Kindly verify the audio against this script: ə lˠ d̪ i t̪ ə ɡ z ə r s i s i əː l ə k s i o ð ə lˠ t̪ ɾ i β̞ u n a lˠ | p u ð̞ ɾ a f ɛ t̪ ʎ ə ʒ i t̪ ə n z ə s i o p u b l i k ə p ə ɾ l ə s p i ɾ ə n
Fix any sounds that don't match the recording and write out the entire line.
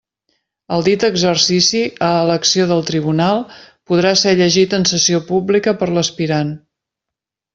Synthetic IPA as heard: ə lˠ d̪ i t̪ ə ɡ z ə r s i s i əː l ə k s i o ð ə lˠ t̪ ɾ i β̞ u n a lˠ | p u ð̞ ɾ a s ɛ ʎ ə ʒ i t̪ ə n s ə s i o p u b l i k ə p ə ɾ l ə s p i ɾ a n